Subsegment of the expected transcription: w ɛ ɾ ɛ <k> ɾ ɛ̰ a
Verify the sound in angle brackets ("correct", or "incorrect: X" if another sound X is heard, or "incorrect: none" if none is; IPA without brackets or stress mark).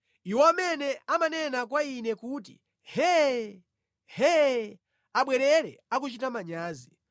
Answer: incorrect: none